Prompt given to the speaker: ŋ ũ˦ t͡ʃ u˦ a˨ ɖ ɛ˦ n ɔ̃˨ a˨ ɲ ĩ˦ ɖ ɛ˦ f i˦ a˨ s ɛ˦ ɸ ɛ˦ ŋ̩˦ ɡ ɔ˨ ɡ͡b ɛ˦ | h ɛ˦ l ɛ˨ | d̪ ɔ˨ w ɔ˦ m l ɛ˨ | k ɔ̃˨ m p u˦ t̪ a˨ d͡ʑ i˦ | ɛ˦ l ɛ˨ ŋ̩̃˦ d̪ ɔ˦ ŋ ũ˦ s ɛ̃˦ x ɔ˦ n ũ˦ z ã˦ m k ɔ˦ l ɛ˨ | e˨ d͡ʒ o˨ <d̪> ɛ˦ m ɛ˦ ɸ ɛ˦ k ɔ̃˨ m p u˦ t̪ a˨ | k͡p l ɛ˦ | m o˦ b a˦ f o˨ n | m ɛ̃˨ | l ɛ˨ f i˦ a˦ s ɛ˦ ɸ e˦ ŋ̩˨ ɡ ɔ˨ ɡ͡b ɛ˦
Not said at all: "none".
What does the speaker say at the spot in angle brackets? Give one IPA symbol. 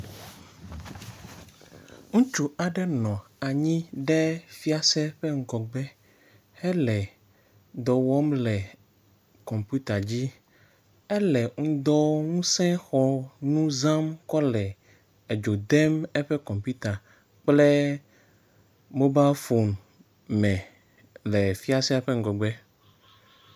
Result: d̪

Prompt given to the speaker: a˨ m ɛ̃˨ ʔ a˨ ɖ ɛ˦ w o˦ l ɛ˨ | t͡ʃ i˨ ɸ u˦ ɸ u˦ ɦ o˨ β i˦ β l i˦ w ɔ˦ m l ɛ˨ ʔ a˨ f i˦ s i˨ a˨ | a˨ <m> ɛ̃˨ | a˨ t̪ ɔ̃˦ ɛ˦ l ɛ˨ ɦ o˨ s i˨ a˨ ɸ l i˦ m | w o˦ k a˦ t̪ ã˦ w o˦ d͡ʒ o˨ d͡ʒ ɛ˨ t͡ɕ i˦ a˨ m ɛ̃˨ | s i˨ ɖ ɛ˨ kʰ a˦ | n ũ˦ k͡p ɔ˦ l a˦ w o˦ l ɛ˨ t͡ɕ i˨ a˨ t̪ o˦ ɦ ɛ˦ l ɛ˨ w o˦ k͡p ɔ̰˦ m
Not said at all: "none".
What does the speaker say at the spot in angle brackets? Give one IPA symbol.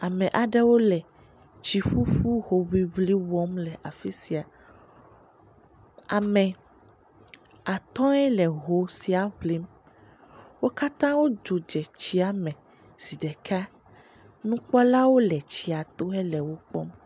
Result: m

